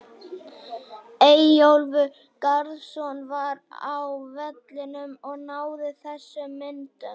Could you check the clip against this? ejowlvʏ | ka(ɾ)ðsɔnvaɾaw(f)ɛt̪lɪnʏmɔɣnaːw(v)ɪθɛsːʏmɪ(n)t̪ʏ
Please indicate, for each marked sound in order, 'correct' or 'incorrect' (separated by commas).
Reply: correct, incorrect, incorrect, correct